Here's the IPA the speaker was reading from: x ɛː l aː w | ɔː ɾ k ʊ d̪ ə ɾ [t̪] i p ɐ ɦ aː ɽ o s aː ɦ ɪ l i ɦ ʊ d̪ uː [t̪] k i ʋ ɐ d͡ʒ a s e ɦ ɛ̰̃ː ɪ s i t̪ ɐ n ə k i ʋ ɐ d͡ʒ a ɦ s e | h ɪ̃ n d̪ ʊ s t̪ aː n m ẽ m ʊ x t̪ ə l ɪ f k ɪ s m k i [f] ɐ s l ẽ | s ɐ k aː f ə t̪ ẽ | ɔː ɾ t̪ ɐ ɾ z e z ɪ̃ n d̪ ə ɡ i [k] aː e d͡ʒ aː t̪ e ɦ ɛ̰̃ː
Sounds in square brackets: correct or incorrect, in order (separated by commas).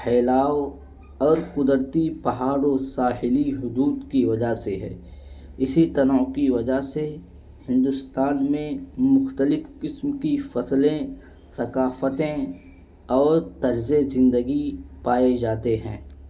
correct, incorrect, correct, incorrect